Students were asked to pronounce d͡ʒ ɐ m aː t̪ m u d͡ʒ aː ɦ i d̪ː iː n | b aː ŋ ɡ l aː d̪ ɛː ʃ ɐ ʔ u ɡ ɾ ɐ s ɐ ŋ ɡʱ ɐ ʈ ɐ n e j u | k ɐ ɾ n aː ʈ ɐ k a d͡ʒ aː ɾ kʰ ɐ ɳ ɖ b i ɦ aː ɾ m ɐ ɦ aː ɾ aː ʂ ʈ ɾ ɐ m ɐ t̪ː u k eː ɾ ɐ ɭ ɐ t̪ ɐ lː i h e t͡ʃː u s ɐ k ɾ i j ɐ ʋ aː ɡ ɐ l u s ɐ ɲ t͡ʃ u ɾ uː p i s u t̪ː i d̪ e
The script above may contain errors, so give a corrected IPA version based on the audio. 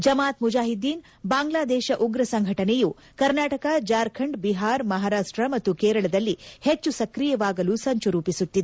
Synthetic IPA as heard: d͡ʒ ɐ m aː t̪ m u d͡ʒ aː ɦ i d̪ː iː n | b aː ŋ ɡ l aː d̪ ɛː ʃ ɐ ʔ u ɡ ɾ ɐ s ɐ ŋ ɡʱ ɐ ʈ ɐ n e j u | k ɐ ɾ n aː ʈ ɐ k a d͡ʒ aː ɾ kʰ ɐ ɳ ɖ b i ɦ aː ɾ m ɐ ɦ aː ɾ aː ʂ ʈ ɾ ɐ m ɐ t̪ː u k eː ɾ ɐ ɭ ɐ d̪ ɐ lː i h e t͡ʃː u s ɐ k ɾ i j ɐ ʋ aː ɡ ɐ l u s ɐ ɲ t͡ʃ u ɾ uː p i s u t̪ː i d̪ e